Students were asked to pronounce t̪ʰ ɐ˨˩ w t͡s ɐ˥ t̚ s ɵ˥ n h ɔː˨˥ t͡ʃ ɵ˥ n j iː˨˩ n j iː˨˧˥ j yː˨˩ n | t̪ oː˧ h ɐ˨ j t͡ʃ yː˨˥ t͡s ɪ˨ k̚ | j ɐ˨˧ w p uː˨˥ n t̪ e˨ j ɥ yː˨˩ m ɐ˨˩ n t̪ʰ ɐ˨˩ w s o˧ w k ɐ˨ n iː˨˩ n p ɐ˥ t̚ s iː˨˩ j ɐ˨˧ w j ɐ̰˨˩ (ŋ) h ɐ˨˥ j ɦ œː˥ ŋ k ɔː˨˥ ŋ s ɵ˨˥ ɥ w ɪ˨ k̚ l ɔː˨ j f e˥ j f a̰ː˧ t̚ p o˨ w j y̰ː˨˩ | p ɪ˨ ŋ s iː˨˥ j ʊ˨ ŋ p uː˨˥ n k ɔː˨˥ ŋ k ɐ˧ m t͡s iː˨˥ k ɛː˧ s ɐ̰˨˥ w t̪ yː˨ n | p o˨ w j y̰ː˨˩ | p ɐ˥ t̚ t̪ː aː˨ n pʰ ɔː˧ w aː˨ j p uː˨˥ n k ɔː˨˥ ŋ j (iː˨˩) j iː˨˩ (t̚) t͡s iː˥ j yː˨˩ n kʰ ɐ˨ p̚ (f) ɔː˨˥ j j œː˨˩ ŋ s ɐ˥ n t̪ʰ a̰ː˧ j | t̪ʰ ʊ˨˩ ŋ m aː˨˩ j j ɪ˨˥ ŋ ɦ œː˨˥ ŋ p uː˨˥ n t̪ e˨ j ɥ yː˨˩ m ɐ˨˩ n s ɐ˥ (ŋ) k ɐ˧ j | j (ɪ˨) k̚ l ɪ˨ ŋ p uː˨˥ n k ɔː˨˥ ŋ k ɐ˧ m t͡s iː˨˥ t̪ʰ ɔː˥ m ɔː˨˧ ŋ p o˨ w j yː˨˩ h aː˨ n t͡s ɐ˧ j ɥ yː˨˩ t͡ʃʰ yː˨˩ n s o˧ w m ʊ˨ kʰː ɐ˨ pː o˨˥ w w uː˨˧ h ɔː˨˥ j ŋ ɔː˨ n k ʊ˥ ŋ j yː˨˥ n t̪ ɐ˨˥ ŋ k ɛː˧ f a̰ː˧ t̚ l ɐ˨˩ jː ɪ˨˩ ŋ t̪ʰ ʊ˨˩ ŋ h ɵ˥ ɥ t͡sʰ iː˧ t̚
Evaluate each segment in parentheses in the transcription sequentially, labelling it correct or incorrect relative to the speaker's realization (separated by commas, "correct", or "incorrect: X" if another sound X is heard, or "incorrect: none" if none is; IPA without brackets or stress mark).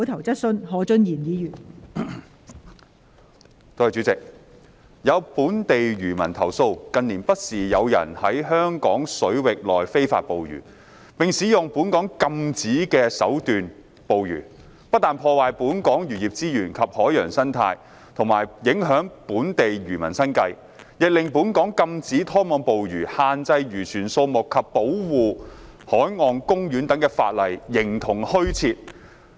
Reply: incorrect: n, incorrect: yː˨˩, incorrect: p̚, incorrect: h, incorrect: n, correct